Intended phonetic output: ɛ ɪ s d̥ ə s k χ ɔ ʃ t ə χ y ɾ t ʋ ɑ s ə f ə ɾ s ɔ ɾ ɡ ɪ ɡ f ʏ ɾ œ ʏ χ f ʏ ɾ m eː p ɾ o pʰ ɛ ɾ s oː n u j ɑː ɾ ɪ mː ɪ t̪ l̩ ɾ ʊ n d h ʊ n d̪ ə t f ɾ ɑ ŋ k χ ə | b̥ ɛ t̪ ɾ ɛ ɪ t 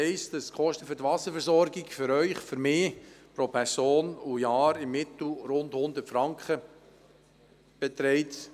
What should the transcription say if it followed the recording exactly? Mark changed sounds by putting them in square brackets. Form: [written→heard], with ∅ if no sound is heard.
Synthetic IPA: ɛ ɪ s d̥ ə s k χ ɔ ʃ t ə [χ→f] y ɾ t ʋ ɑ s ə f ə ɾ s ɔ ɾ ɡ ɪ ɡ f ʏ ɾ œ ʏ χ f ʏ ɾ m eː p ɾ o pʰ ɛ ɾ s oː n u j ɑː ɾ ɪ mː ɪ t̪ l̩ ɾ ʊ n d h ʊ n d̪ ə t f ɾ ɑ ŋ k χ ə | b̥ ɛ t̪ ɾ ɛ ɪ t